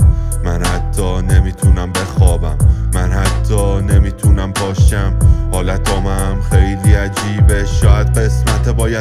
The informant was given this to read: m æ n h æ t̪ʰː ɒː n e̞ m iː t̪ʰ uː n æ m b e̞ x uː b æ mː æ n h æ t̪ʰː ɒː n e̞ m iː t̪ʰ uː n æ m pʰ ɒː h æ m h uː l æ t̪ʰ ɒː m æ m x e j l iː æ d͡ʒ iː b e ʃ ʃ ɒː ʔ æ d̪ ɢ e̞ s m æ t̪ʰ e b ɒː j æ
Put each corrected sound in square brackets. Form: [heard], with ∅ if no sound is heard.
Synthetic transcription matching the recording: m æ n h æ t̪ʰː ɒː n e̞ m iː t̪ʰ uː n æ m b e̞ x [ɒː] b æ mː æ n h æ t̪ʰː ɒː n e̞ m iː t̪ʰ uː n æ m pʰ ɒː [ʃ] æ m h [ɒː] l æ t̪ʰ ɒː m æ m x e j l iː æ d͡ʒ iː b e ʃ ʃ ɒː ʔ æ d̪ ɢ e̞ s m æ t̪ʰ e b ɒː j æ